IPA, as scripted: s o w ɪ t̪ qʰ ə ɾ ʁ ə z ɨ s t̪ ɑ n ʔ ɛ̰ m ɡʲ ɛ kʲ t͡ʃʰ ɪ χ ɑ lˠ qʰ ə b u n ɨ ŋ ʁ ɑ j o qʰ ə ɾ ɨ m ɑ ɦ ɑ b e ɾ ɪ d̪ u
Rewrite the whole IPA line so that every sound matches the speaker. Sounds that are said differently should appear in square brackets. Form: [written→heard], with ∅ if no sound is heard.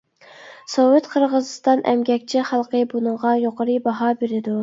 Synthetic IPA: s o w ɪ t̪ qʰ ə ɾ ʁ ə z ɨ s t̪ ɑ n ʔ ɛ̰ m ɡʲ ɛ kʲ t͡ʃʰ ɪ χ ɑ lˠ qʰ ə b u n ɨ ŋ ʁ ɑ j o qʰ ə ɾ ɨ [m→b] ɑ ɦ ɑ b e ɾ ɪ d̪ u